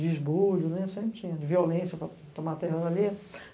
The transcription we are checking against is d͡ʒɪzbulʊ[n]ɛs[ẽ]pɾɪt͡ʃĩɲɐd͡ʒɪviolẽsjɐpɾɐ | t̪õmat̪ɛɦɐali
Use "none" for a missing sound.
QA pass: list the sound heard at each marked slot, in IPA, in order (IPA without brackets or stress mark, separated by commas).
n, ẽ